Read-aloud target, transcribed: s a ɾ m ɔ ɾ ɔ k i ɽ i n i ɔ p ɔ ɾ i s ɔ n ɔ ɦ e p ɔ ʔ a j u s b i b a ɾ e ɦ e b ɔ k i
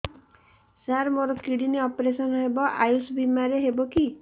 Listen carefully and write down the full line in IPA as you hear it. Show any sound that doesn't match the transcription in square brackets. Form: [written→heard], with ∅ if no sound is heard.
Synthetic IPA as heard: s a ɾ m [ɔ→o] ɾ ɔ k i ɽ i n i ɔ p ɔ ɾ [i→e] s ɔ n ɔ ɦ e [p→b] ɔ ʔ a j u s b i [b→m] a ɾ e ɦ e b ɔ k i